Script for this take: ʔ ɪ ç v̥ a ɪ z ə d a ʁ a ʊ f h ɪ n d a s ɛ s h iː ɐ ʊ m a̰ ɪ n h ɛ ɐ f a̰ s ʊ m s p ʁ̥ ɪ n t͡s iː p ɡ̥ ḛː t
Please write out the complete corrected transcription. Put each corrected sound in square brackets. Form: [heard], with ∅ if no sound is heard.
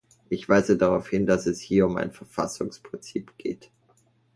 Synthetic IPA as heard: ʔ ɪ ç v̥ a ɪ z ə d a ʁ a ʊ f h ɪ n d a s ɛ s h iː ɐ ʊ m a̰ ɪ n [f] ɛ ɐ f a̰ s ʊ [ŋ] s p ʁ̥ ɪ n t͡s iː p ɡ̥ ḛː t